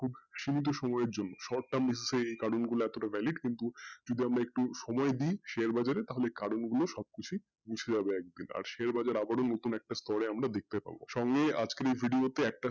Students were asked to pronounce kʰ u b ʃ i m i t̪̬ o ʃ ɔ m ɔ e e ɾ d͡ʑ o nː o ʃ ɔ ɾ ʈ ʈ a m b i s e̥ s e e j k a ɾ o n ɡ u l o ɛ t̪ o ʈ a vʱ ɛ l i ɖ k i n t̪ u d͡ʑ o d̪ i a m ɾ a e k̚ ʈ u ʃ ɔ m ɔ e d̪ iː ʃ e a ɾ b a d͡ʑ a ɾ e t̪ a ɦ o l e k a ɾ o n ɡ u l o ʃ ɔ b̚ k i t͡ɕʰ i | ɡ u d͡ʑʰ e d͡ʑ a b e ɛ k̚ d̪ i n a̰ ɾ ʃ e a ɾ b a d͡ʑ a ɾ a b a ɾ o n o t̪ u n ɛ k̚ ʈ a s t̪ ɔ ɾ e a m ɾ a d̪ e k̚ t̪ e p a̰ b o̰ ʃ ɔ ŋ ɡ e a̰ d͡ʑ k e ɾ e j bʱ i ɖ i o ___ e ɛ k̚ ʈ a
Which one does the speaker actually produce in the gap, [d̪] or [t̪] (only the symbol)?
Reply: t̪